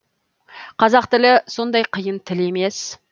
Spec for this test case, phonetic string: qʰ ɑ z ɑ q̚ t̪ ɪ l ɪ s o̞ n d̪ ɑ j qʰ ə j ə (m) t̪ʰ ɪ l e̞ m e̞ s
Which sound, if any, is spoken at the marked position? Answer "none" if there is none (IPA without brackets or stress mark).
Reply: n